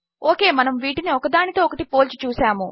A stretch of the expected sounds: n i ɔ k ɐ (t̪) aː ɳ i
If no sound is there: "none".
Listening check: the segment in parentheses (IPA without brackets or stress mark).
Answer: d̪